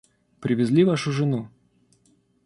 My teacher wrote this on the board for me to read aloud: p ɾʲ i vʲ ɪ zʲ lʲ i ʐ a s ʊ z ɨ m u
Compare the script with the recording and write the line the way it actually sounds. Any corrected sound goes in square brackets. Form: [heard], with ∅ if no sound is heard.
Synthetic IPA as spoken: p ɾʲ [ɪ] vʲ ɪ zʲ lʲ i [v] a [ʂ] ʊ [ʐ] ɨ [n] u